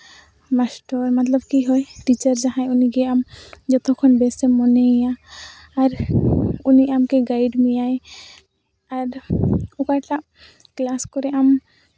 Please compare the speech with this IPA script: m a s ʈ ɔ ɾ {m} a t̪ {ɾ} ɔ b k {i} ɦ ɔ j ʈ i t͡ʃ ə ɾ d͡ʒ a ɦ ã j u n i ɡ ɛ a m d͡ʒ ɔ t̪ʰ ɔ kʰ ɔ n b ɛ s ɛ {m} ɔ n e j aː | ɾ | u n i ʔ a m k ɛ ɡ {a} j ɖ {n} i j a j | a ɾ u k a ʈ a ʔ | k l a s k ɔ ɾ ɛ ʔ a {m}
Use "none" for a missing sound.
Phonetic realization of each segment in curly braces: m, l, i, m, a, m, m

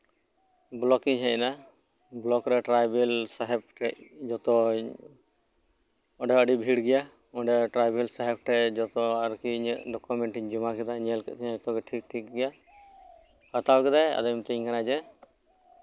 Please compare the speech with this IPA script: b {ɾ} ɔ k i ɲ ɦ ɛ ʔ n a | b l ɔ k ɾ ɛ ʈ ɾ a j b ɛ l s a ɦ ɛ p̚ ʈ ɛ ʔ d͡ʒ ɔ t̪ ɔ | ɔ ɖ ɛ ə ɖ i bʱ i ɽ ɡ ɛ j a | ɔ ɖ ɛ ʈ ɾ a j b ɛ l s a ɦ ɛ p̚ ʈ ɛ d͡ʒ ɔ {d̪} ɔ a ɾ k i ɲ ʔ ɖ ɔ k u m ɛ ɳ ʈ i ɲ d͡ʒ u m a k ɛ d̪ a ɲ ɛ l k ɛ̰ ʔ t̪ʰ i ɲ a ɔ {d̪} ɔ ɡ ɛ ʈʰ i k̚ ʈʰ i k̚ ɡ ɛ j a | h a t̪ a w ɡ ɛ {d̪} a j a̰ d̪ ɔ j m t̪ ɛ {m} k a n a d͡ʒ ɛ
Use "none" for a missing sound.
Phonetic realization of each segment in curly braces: l, t̪, t̪, d̪, ɲ

